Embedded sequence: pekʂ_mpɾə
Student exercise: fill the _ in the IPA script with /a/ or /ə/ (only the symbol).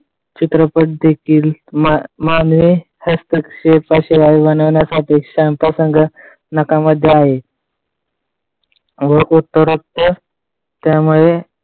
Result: a